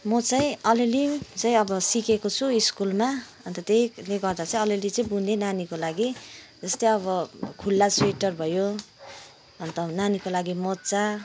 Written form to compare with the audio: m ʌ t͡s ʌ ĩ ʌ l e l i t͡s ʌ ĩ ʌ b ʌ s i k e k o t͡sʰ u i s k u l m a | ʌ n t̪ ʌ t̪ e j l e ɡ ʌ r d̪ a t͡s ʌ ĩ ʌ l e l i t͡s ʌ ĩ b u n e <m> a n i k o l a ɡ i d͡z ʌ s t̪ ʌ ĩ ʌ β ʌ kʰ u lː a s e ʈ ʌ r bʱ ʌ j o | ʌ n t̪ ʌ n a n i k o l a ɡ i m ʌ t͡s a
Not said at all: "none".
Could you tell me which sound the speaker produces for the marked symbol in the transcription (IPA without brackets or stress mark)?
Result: n